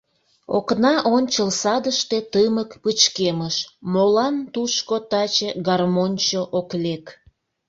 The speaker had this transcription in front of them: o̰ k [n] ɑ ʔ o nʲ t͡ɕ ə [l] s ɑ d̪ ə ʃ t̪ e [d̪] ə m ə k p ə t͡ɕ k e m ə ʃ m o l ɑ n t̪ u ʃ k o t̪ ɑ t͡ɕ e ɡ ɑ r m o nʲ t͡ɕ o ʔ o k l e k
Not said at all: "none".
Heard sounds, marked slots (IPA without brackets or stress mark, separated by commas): n, l, t̪